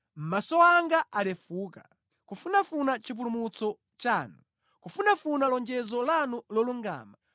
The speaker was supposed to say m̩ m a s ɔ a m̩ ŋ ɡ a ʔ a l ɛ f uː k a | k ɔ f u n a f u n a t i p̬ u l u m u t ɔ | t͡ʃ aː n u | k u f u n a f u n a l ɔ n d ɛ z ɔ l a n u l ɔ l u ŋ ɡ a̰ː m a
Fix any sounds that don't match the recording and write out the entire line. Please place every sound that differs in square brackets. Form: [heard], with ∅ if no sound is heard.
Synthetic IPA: m̩ m a s ɔ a [∅] ŋ ɡ a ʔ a l ɛ f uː k a | k [u] f u n a f u n a [t͡ʃ] i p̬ u l u m u [t͡s] ɔ | t͡ʃ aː n u | k u f u n a f u n a l ɔ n [d͡ʒ] ɛ z ɔ l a n u l ɔ l u ŋ ɡ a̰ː m a